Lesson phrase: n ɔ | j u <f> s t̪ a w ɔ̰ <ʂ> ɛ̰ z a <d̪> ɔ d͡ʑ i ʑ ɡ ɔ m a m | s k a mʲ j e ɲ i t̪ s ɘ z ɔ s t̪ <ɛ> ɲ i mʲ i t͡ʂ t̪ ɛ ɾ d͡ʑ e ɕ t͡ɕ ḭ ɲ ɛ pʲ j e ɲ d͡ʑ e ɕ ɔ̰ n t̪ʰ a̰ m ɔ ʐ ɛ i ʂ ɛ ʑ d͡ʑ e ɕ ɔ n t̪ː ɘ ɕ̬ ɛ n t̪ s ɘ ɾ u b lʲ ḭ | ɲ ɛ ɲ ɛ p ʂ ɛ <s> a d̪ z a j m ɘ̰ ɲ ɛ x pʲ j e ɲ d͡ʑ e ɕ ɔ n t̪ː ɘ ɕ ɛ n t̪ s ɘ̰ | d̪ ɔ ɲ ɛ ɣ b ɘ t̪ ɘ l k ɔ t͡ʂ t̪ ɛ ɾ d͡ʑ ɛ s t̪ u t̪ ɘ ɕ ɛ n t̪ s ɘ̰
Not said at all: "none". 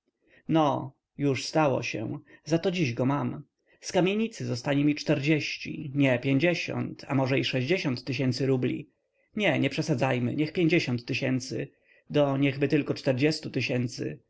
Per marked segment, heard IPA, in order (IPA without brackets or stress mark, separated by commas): ʂ, ɕ, t̪, a, s